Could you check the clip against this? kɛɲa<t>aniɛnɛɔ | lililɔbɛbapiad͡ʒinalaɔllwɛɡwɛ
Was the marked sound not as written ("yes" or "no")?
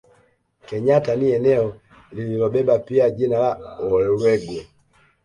no